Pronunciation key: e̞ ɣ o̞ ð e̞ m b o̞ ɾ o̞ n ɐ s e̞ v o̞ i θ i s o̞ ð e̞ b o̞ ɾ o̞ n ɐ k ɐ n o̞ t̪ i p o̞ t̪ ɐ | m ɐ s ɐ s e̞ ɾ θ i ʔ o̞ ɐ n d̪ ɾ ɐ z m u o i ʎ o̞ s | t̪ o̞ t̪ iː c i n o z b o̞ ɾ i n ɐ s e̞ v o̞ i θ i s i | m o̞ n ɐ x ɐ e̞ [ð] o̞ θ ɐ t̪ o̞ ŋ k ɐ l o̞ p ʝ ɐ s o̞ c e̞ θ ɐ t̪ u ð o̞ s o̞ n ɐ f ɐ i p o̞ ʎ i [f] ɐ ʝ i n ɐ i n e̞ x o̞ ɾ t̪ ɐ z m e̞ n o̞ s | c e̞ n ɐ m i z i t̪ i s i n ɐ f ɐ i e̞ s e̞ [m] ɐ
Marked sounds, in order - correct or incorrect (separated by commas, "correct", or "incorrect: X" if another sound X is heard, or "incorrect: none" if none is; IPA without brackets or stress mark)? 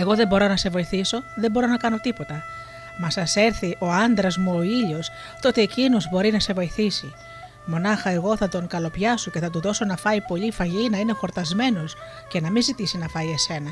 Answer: incorrect: ɣ, correct, incorrect: n